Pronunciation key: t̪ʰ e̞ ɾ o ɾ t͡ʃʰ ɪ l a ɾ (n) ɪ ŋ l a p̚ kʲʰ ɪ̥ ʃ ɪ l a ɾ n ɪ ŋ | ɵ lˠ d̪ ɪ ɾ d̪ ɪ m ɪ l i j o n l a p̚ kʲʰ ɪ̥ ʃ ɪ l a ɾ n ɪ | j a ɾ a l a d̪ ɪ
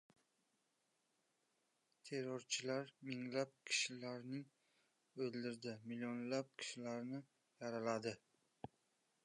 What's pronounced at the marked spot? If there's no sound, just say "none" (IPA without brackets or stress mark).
m